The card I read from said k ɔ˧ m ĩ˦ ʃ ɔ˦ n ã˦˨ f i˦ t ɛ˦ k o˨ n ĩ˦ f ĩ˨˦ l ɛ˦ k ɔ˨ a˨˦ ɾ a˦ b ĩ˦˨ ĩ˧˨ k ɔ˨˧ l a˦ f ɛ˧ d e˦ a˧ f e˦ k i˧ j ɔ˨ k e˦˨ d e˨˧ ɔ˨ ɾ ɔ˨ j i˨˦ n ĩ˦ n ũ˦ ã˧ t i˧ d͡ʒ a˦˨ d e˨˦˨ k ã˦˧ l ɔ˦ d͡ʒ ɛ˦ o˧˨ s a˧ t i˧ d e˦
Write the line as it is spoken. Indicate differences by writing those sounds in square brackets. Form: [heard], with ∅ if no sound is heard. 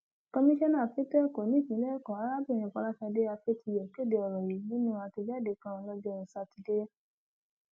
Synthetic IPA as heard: k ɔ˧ m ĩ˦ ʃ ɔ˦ n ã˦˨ f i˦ t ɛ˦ k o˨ n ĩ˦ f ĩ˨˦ l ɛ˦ k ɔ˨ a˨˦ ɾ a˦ b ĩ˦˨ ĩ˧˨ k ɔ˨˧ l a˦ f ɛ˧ d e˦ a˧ f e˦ [t] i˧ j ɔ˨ k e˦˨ d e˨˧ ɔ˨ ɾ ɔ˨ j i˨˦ n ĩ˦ n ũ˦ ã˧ t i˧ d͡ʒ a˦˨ d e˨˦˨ k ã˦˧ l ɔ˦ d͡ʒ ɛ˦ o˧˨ s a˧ t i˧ d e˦